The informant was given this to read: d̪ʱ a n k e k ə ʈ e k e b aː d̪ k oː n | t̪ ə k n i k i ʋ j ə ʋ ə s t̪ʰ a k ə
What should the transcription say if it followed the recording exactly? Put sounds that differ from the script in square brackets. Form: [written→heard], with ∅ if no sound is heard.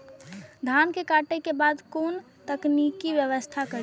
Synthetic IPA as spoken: d̪ʱ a n k e k [ə→a] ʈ e k e b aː d̪ k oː n | t̪ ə k n i k i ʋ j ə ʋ ə s t̪ʰ a k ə